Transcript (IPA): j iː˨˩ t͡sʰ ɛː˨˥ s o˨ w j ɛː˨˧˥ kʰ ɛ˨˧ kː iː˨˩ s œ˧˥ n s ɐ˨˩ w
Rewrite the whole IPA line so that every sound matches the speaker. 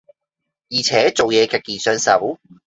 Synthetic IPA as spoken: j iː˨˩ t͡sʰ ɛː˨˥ t͡s o˨ w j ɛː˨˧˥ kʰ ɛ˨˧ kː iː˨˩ s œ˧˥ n s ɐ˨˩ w